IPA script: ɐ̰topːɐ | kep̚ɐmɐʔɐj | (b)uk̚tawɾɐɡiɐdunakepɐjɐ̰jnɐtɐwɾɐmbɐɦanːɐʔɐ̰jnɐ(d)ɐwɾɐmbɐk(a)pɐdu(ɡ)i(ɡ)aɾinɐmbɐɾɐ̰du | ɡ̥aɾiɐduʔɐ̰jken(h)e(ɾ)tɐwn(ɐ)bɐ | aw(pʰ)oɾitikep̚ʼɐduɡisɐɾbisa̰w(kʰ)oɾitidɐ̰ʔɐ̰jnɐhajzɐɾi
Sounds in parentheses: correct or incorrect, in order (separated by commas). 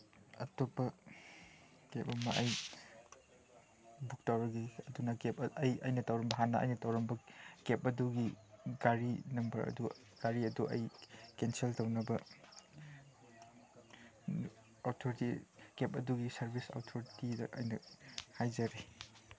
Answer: correct, incorrect, incorrect, correct, correct, incorrect, incorrect, correct, incorrect, incorrect